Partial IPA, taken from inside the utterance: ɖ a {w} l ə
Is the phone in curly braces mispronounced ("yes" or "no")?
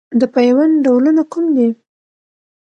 no